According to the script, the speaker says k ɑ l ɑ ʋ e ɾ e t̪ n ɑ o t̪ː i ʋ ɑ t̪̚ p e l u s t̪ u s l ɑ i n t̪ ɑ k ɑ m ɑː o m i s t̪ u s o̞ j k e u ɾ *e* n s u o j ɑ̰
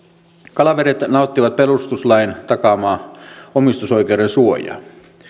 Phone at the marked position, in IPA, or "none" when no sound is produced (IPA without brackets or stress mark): e